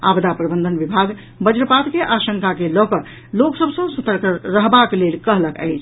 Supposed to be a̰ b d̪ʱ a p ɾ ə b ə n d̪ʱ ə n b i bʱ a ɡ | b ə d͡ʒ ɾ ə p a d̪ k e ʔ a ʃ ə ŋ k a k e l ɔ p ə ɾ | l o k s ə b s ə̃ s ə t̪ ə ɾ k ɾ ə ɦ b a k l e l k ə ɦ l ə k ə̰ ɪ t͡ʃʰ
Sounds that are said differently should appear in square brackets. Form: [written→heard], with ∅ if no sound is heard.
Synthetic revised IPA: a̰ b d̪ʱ a p ɾ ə b ə n d̪ʱ ə n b i bʱ a ɡ | b ə d͡ʒ ɾ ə p a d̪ k e ʔ a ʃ ə ŋ k a k e l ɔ [p→k] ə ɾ | l o k s ə b s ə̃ s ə t̪ ə ɾ k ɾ ə ɦ b a k l e l k ə ɦ l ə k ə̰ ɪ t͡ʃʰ